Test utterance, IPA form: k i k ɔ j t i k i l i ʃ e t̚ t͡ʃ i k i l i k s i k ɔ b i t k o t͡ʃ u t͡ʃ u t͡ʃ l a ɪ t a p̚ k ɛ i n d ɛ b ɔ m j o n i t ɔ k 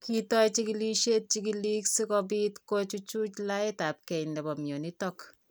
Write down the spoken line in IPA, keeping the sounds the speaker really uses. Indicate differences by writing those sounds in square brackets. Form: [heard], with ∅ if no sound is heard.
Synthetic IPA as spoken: k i [t] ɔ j [t͡ʃ] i k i l i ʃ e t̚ t͡ʃ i k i l i k s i k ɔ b i t k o t͡ʃ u t͡ʃ u t͡ʃ l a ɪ t a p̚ k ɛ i n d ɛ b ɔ m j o n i t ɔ k

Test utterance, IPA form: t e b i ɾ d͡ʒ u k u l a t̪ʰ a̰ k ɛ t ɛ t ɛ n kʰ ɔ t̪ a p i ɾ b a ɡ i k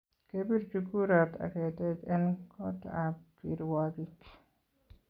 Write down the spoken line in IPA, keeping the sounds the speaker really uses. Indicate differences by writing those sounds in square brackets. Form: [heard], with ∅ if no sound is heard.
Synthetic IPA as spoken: [k] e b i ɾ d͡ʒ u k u [ɾ] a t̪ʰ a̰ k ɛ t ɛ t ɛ n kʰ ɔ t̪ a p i ɾ [w] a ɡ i k

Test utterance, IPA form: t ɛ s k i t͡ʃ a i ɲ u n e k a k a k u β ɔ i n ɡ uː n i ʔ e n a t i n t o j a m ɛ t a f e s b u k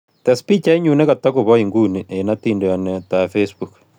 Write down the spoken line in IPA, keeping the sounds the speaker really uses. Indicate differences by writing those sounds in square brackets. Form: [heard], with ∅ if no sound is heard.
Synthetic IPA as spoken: t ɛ s [p] i t͡ʃ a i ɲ u n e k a [t] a k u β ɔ i [ŋ] ɡ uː n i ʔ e n a t i n [d] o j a [n] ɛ t a f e s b u k

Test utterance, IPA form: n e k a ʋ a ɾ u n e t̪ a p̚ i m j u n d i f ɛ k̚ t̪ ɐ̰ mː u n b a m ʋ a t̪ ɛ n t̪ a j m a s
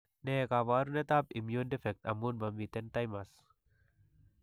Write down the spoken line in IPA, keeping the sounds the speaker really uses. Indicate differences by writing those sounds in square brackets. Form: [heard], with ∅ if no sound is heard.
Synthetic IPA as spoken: n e k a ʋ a ɾ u n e t̪ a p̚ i m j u n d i f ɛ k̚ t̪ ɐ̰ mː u n b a m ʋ [i] t̪ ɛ n t̪ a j m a s

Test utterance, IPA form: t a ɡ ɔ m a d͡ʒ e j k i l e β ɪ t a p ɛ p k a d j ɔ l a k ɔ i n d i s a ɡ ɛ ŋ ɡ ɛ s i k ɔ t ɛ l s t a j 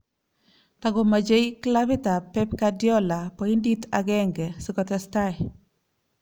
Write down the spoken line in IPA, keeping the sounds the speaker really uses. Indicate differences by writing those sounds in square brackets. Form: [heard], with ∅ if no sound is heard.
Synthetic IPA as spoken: t a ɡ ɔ m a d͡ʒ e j k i l [a] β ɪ t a p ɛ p k a d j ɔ l a [p] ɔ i n d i [t] a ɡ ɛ ŋ ɡ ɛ s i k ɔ t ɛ [∅] s t a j

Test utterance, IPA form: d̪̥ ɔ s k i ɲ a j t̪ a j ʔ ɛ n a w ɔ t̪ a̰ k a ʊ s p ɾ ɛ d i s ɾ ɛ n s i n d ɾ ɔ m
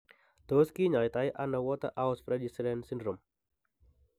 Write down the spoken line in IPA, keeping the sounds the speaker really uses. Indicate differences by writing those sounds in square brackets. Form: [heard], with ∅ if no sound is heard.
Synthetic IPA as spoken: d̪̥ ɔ s k i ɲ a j t̪ a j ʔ [a] n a w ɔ t̪ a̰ [ʔ] a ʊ s p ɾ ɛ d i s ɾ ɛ n s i n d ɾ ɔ m

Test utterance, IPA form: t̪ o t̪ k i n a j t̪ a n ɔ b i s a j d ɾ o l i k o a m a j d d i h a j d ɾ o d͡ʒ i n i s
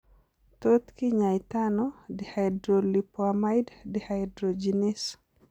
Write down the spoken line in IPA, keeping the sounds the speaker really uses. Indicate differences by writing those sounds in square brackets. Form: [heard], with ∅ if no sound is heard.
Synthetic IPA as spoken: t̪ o t̪ k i [ɲ] a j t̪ a n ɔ [d] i [h] a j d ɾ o l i [p] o a m a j d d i h a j d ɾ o d͡ʒ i n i s

